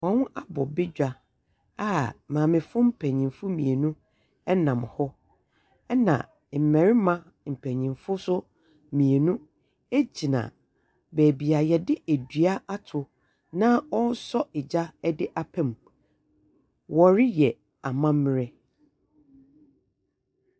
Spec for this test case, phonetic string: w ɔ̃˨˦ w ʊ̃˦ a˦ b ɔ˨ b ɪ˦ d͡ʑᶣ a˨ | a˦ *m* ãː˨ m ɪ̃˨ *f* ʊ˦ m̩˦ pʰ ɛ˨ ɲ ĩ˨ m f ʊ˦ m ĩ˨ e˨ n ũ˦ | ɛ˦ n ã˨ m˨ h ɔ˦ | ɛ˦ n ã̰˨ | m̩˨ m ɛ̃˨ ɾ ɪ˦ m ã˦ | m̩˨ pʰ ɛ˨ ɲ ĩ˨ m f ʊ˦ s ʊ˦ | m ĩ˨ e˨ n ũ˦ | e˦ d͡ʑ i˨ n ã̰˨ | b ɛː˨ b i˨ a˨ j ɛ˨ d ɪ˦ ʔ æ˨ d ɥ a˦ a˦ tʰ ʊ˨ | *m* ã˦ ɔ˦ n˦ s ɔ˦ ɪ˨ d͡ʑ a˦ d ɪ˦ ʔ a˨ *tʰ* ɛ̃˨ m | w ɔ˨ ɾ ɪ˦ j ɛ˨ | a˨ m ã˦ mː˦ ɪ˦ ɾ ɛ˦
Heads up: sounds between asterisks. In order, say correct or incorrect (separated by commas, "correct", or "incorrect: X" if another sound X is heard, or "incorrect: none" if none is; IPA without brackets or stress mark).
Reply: correct, correct, incorrect: n, incorrect: pʰ